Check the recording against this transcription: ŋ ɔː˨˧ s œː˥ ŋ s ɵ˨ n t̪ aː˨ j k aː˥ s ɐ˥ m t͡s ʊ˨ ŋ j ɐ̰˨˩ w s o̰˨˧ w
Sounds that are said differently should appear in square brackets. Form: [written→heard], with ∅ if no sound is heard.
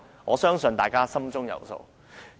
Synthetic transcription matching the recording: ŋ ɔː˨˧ s œː˥ ŋ s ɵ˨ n t̪ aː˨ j k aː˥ s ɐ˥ m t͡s [ʊ˨→ʊ˥] ŋ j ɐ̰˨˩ w s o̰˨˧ w